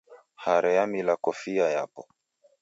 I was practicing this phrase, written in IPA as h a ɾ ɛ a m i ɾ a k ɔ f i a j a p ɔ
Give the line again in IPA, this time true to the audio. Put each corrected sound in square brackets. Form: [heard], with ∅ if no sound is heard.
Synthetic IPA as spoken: h a ɾ ɛ a m i [l] a k ɔ f i a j a p ɔ

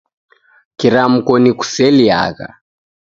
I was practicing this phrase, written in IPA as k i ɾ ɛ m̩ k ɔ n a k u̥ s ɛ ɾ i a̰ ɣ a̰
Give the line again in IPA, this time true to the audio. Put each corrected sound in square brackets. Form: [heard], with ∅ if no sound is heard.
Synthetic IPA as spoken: k i ɾ [a] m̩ k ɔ n [i] k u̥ s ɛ [l] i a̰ ɣ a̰

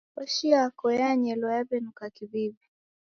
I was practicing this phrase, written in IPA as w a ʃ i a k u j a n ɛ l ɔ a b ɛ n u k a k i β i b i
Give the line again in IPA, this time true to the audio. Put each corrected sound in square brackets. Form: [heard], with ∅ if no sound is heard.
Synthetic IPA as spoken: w a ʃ i a k [ɔ] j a [ɲ] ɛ l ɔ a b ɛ n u k a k i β i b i

